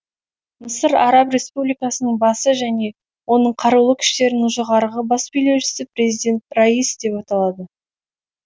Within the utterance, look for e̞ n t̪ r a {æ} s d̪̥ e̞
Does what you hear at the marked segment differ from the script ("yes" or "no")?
yes